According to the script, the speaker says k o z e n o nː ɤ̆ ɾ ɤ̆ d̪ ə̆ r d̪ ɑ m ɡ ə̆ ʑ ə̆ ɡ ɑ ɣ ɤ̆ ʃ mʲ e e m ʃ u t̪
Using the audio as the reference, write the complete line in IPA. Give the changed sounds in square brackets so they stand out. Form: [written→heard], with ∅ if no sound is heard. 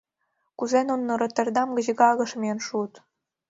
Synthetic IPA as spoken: k [o→u] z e n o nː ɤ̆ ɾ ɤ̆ [d̪→t̪] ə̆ r d̪ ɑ m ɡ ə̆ ʑ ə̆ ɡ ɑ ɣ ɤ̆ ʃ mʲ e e [m→n] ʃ u t̪